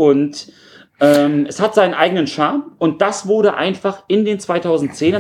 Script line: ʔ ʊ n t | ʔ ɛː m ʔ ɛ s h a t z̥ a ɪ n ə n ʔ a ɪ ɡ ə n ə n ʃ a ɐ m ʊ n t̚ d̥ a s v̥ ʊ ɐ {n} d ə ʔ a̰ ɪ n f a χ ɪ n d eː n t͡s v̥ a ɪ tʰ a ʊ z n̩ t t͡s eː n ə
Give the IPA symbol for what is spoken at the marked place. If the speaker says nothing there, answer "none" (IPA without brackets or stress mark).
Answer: none